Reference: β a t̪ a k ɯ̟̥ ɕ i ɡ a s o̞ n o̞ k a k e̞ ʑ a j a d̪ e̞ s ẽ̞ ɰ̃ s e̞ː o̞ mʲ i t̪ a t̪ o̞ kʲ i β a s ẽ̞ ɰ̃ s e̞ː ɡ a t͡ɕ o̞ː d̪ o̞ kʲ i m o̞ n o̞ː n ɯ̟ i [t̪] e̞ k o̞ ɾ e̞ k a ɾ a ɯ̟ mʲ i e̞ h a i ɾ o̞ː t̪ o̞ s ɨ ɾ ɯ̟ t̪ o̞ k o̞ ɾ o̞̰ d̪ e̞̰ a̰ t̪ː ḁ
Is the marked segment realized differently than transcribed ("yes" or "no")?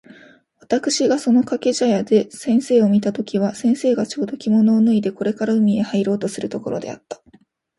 yes